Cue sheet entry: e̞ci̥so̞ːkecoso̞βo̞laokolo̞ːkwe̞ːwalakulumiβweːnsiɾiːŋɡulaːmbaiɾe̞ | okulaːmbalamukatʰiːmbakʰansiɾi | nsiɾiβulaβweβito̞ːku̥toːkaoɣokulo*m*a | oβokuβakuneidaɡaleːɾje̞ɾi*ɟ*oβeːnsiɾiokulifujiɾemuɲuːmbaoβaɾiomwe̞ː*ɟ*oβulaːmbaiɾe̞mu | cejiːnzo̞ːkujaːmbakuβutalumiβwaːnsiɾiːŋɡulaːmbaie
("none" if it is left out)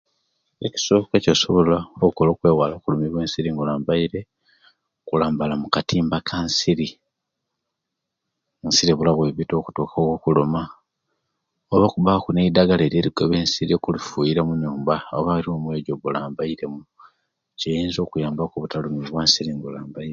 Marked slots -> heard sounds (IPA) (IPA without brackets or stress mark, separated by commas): m, ɡ, ɟ